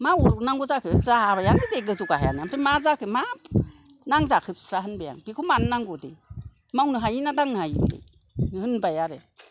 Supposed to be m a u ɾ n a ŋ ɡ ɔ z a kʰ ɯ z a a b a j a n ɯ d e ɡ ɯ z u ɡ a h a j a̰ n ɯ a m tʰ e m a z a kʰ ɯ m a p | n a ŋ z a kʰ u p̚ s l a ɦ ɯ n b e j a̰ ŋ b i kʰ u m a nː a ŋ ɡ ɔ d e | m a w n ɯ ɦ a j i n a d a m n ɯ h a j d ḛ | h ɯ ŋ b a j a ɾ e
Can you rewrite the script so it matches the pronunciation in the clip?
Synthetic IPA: m a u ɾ n a ŋ ɡ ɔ z a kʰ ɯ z a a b a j a n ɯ d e ɡ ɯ z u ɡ a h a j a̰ n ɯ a m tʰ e m a z a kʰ ɯ m a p | n a ŋ z a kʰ ɯ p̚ s ɾ a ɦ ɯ n b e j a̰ ŋ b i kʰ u m a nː a ŋ ɡ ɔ d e | m a w n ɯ ɦ a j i n a d a ŋ n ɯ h a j d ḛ | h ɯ n b a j a ɾ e